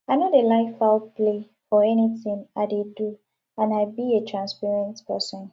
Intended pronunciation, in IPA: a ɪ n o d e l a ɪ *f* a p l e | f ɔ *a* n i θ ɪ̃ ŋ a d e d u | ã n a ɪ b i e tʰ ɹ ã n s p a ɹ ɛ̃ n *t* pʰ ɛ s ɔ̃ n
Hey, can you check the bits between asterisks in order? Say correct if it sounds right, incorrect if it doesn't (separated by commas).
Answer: correct, incorrect, correct